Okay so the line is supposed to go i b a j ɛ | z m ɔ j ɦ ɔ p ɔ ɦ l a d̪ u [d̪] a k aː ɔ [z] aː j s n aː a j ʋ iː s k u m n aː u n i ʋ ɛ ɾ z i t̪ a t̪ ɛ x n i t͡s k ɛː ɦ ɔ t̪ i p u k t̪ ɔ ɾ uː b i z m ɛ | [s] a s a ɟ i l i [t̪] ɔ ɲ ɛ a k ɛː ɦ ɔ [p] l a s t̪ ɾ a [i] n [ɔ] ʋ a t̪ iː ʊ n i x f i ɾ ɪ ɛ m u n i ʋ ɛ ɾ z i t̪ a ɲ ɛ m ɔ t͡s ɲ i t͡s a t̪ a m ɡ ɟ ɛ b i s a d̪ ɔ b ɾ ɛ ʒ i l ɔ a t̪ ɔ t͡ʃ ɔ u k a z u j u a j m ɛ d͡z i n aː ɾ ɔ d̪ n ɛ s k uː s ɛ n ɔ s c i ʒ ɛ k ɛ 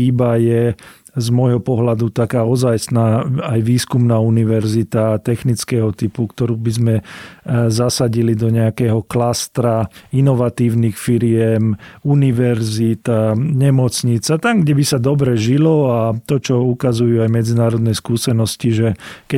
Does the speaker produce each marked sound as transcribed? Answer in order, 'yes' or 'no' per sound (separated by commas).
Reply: no, yes, no, no, no, yes, yes